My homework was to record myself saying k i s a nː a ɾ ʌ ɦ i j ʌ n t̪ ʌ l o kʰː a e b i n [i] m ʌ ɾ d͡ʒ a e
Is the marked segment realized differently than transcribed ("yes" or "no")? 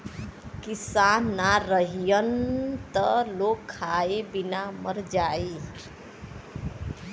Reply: yes